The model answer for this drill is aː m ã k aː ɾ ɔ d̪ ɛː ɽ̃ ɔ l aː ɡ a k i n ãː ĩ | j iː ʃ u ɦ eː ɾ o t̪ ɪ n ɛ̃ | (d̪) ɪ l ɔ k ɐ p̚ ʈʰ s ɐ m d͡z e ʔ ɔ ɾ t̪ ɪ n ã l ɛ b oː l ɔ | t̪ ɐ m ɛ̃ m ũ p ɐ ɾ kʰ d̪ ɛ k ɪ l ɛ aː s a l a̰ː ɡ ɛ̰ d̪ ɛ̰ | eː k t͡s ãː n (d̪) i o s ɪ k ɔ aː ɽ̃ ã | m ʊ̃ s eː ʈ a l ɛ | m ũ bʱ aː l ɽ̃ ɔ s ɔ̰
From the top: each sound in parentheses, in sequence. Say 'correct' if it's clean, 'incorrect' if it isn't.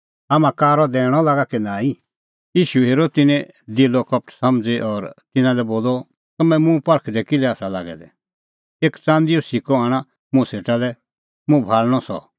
correct, correct

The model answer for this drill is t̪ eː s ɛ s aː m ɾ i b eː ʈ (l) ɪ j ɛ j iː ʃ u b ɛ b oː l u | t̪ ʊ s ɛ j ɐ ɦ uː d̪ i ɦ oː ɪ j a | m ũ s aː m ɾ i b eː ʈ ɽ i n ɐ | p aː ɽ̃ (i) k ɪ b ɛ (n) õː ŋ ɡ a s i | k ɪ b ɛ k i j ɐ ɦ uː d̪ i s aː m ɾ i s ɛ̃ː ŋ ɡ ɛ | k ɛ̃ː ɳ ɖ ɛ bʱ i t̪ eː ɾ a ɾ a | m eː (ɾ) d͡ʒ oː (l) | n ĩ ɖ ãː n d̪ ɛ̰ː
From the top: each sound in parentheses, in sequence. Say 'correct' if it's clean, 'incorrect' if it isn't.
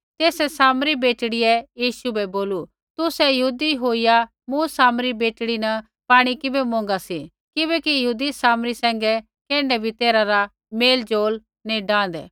incorrect, correct, incorrect, incorrect, correct

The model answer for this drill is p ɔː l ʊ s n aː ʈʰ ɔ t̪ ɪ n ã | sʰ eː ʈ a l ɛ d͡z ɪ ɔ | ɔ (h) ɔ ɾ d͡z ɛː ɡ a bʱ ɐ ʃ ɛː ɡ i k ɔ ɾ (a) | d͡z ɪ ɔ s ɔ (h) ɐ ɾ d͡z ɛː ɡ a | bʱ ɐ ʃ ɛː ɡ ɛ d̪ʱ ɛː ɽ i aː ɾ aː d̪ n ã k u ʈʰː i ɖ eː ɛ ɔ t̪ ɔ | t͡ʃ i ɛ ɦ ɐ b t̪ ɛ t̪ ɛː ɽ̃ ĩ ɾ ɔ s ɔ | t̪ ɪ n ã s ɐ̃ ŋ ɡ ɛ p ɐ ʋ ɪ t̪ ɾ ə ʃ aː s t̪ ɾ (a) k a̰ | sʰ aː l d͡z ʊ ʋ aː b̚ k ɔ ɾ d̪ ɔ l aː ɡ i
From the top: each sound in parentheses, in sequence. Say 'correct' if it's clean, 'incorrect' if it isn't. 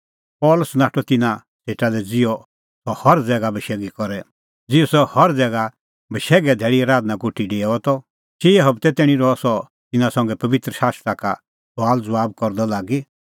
correct, incorrect, correct, correct

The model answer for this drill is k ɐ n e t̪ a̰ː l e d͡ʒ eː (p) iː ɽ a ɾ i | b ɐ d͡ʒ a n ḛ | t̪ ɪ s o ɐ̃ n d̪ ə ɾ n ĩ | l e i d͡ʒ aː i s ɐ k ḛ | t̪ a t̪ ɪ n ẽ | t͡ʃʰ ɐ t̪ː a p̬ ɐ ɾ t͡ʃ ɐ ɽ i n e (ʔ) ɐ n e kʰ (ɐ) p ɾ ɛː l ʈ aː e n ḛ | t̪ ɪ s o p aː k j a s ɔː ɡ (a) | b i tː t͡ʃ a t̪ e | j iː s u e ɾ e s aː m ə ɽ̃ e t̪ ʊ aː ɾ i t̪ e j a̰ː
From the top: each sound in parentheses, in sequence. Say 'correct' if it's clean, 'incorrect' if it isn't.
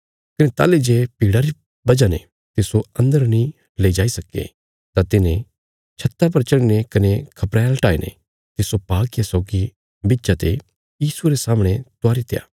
correct, incorrect, correct, incorrect

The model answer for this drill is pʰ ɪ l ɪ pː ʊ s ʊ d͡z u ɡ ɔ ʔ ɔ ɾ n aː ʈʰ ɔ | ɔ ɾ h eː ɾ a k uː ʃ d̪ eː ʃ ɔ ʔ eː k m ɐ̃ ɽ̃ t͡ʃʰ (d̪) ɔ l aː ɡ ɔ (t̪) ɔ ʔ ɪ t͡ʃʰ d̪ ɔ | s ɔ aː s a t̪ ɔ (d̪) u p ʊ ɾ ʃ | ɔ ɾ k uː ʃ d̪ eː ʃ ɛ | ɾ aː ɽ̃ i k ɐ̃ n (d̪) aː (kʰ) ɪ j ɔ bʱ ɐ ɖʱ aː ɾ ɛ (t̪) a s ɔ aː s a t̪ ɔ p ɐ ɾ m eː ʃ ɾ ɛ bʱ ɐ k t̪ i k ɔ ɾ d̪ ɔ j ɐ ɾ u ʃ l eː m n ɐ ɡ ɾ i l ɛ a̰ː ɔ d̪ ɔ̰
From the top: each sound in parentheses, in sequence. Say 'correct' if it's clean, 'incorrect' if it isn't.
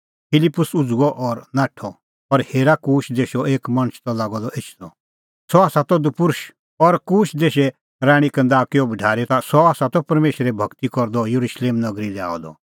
incorrect, incorrect, correct, correct, incorrect, correct

